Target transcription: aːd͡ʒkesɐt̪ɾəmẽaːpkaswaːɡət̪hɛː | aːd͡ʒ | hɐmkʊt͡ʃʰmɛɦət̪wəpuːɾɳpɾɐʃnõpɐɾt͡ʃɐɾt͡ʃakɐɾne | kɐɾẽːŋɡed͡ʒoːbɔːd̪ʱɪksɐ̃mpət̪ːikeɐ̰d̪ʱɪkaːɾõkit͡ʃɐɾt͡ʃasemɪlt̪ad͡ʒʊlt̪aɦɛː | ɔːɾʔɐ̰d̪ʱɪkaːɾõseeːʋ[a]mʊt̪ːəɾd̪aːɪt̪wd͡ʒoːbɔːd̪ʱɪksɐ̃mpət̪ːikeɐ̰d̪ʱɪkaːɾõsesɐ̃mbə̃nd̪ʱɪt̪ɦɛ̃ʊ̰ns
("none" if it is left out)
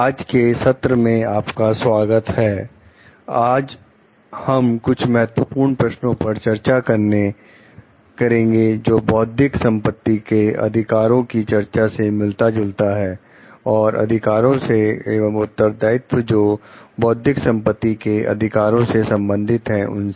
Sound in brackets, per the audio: ə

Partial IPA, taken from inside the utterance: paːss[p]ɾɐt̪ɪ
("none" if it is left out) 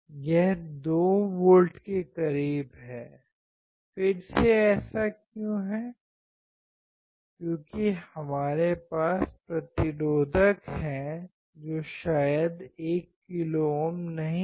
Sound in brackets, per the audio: p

